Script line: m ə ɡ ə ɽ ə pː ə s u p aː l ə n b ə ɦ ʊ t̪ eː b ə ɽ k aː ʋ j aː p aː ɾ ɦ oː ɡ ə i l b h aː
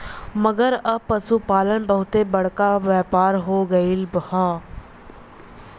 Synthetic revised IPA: m ə ɡ ə ɾ ə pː ə s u p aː l ə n b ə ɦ ʊ t̪ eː b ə ɽ k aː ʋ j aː p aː ɾ ɦ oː ɡ ə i l b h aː